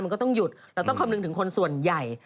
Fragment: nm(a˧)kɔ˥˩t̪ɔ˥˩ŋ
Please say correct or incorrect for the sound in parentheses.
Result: correct